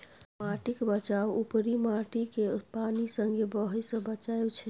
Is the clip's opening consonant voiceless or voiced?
voiced